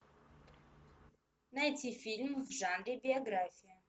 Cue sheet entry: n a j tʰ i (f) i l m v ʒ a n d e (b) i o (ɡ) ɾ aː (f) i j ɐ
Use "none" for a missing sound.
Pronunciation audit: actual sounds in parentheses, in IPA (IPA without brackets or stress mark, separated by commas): f, b, ɡ, f